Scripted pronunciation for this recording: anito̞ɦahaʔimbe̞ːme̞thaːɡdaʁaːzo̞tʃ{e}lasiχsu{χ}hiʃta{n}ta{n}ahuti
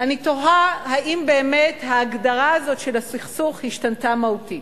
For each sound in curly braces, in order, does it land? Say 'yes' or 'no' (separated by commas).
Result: yes, yes, yes, no